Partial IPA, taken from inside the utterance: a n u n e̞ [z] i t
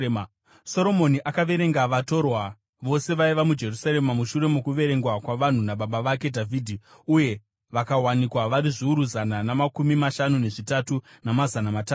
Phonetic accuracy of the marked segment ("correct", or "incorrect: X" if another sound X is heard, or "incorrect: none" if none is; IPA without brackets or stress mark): incorrect: ʐ